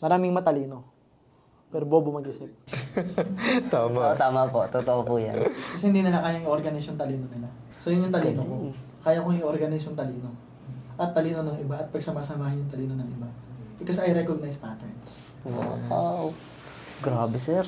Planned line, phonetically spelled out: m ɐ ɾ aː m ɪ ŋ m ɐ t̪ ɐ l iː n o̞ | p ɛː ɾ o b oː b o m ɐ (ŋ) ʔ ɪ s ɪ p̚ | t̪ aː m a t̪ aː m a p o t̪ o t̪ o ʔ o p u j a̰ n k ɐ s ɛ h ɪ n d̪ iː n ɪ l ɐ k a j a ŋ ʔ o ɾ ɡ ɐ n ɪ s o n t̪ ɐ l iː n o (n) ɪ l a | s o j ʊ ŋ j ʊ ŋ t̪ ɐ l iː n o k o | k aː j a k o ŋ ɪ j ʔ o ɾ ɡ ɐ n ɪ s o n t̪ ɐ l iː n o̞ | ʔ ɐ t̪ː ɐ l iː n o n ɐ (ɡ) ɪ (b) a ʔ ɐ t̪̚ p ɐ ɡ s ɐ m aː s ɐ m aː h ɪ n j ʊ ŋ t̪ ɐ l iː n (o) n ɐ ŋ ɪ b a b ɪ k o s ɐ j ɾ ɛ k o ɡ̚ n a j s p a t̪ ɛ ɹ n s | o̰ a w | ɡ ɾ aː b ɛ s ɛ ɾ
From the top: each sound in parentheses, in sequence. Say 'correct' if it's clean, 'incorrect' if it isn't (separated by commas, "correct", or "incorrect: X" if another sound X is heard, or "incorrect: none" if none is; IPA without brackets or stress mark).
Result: incorrect: ɡ, correct, incorrect: ŋ, correct, correct